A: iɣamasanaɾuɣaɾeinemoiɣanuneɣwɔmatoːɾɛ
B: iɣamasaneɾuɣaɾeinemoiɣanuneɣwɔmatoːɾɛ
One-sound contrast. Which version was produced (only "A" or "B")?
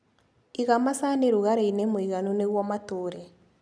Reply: B